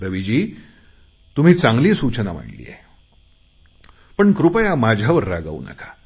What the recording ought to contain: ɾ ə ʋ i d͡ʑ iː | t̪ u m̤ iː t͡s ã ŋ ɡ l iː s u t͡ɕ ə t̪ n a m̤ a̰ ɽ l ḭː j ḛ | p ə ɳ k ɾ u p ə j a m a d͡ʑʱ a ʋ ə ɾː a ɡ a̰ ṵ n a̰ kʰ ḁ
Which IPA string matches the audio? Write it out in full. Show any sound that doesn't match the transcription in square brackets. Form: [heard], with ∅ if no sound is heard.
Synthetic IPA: ɾ ə ʋ i d͡ʑ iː | t̪ u m̤ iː t͡s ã ŋ ɡ l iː s u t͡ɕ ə [∅] n a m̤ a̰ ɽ l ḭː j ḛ | p ə ɳ k ɾ u p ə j a m a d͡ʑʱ a ʋ ə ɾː a ɡ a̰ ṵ n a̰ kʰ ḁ